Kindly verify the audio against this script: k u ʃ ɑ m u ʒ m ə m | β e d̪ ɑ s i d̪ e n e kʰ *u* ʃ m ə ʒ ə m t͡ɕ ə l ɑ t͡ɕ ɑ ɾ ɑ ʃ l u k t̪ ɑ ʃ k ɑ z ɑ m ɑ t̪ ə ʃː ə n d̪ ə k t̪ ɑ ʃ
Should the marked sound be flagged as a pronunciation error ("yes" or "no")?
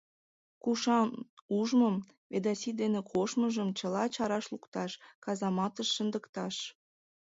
yes